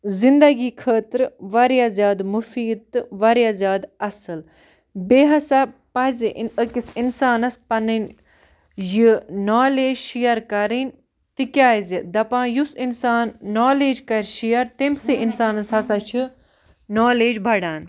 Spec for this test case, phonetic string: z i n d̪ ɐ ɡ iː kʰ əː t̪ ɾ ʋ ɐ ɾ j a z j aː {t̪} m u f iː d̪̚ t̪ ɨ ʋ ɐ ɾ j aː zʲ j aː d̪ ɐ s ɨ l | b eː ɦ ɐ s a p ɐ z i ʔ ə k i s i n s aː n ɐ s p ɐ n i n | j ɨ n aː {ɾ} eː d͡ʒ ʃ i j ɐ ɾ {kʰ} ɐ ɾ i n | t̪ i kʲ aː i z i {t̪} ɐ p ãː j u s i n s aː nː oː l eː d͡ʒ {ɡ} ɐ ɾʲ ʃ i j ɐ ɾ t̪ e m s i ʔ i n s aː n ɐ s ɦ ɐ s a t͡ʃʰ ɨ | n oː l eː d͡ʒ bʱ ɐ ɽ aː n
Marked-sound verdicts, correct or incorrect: incorrect: d̪, incorrect: l, incorrect: k, incorrect: d̪, incorrect: k

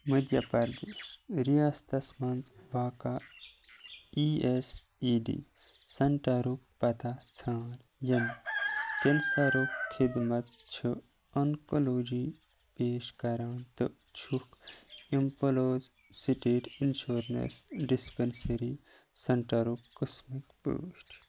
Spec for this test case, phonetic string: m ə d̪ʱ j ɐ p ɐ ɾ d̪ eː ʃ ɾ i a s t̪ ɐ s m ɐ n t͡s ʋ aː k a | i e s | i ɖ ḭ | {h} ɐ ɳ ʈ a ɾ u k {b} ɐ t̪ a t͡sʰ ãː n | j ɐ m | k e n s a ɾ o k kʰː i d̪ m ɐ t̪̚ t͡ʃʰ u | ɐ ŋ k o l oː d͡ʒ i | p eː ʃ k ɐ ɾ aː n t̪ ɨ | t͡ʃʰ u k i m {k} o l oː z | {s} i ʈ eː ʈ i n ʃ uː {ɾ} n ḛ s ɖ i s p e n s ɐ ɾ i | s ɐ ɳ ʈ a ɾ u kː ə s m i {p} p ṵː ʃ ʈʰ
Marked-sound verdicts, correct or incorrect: incorrect: s, incorrect: p, incorrect: p, correct, correct, incorrect: k

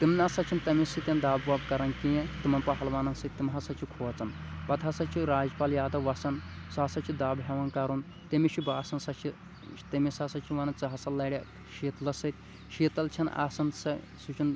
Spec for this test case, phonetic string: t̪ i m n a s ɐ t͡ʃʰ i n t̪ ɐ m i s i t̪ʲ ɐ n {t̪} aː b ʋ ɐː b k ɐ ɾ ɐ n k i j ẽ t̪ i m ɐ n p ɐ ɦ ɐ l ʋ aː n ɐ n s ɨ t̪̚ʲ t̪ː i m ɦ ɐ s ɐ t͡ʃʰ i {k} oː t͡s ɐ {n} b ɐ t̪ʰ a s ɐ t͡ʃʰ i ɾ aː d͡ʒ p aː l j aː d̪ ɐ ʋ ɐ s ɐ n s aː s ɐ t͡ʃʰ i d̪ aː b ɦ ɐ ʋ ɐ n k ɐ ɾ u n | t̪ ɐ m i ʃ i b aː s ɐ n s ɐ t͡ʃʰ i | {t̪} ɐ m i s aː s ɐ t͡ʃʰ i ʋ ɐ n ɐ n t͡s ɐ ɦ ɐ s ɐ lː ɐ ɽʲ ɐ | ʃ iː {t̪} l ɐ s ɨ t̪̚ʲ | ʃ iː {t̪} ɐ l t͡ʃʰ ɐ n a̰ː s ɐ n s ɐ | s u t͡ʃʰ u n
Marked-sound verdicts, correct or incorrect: incorrect: d̪, incorrect: kʰ, correct, correct, correct, correct

